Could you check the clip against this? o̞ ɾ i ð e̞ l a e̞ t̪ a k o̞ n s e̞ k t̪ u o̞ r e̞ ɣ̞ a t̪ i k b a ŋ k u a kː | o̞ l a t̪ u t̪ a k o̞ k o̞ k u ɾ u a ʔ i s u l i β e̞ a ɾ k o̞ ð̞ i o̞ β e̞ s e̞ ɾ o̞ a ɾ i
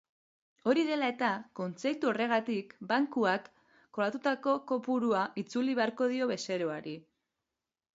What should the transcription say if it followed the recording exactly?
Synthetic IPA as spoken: o̞ ɾ i ð e̞ l a e̞ t̪ a k o̞ n t͡s e̞ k t̪ u o̞ r e̞ ɣ̞ a t̪ i k b a ŋ k u a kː | o̞ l a t̪ u t̪ a k o̞ k o̞ p u ɾ u a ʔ i t͡s u l i β e̞ a ɾ k o̞ ð̞ i o̞ β e̞ s e̞ ɾ o̞ a ɾ i

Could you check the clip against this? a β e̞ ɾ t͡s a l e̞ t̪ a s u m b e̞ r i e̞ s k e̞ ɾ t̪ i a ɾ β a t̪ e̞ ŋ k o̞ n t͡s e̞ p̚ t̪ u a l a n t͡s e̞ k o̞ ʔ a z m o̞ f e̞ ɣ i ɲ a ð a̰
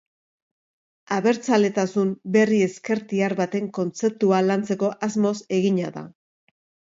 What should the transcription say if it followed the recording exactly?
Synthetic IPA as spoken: a β e̞ ɾ t͡s a l e̞ t̪ a s u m b e̞ r i e̞ s k e̞ ɾ t̪ i a ɾ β a t̪ e̞ ŋ k o̞ n t͡s e̞ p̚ t̪ u a l a n t͡s e̞ k o̞ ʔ a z m o̞ s e̞ ɣ i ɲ a ð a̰

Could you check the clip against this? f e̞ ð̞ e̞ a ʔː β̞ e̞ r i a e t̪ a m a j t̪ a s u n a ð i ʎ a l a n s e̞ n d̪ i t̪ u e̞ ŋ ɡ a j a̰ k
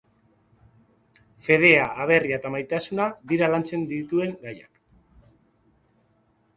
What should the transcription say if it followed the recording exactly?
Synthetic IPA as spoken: f e̞ ð̞ e̞ a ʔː β̞ e̞ r i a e t̪ a m a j t̪ a s u n a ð i ɾ a l a n t͡s e̞ n d̪ i t̪ u e̞ ŋ ɡ a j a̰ k

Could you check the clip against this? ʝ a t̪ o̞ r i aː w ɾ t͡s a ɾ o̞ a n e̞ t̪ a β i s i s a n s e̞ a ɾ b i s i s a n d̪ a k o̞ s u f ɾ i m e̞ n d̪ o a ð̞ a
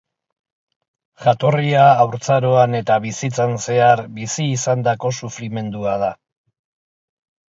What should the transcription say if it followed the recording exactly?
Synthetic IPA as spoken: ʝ a t̪ o̞ r i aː w ɾ t͡s a ɾ o̞ a n e̞ t̪ a β i s i t͡s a n s e̞ a ɾ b i s iː s a n d̪ a k o̞ s u f ɾ i m e̞ n d̪ u a ð̞ a

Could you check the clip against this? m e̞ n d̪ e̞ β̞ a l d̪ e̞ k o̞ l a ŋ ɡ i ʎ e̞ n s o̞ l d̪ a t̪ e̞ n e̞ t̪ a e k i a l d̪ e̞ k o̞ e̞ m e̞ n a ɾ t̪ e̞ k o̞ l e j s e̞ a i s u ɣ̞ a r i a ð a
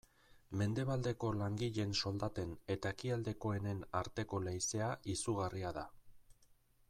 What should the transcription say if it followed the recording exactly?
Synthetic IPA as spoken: m e̞ n d̪ e̞ β̞ a l d̪ e̞ k o̞ l a ŋ ɡ i ʎ e̞ n s o̞ l d̪ a t̪ e̞ n e̞ t̪ a e k i a l d̪ e̞ k o̞ e̞ n e̞ n a ɾ t̪ e̞ k o̞ l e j s e̞ a i s u ɣ̞ a r i a ð a

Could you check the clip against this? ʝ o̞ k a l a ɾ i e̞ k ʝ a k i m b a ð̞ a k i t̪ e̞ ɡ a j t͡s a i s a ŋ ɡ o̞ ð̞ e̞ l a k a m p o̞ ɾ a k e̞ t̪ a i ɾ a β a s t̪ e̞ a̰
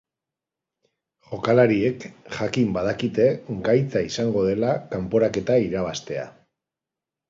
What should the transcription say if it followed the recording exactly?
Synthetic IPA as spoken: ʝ o̞ k a l a ɾ i e̞ k ʝ a k i m b a ð̞ a k i t̪ e̞ ɡ a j t͡s a i s a ŋ ɡ o̞ ð̞ e̞ l a k a m p o̞ ɾ a k e̞ t̪ a i ɾ a β a s t̪ e̞ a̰

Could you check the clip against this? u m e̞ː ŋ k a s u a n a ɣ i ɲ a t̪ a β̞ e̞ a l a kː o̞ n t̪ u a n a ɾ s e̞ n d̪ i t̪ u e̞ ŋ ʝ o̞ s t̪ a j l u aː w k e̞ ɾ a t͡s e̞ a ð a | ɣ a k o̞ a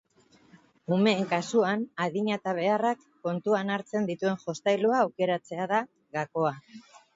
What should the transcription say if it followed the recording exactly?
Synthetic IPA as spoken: u m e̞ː ŋ k a s u a n a ð i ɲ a t̪ a β̞ e̞ a r a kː o̞ n t̪ u a n a ɾ t͡s e̞ n d̪ i t̪ u e̞ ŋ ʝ o̞ s t̪ a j l u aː w k e̞ ɾ a t͡s e̞ a ð a | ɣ a k o̞ a

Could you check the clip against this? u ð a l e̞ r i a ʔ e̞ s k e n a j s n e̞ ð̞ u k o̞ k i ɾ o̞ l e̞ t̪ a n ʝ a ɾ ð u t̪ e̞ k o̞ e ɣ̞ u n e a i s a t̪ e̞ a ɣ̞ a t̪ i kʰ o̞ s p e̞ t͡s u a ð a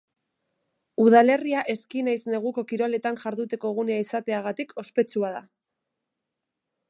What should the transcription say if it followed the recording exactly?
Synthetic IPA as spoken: u ð a l e̞ r i a ʔ e̞ s k i n a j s n e̞ ɣ̞ u k o̞ k i ɾ o̞ l e̞ t̪ a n ʝ a ɾ ð u t̪ e̞ k o̞ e ɣ̞ u n e a i s a t̪ e̞ a ɣ̞ a t̪ i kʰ o̞ s p e̞ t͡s u a ð a

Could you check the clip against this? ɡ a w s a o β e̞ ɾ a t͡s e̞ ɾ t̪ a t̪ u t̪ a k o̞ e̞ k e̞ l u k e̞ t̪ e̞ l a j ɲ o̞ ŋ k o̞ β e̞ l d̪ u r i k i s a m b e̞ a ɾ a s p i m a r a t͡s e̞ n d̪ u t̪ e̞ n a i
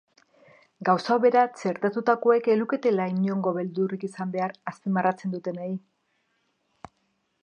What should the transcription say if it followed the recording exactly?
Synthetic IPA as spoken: ɡ a w s a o β e̞ ɾ a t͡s e̞ ɾ t̪ a t̪ u t̪ a k o̞ e̞ k e̞ l u k e̞ t̪ e̞ l a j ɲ o̞ ŋ ɡ o̞ β e̞ l d̪ u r i k i s a m b e̞ a ɾ a s p i m a r a t͡s e̞ n d̪ u t̪ e̞ n a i

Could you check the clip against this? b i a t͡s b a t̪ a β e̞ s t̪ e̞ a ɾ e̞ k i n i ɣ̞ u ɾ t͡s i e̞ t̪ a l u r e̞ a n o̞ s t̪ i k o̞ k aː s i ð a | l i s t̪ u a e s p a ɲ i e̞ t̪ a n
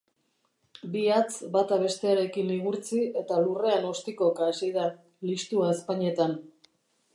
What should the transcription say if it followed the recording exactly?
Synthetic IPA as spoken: b i a t͡s b a t̪ a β e̞ s t̪ e̞ a ɾ e̞ k i n i ɣ̞ u ɾ t͡s i e̞ t̪ a l u r e̞ a n o̞ s t̪ i k o̞ k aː s i ð a | l i s t̪ u a e s p a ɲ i e̞ t̪ a n

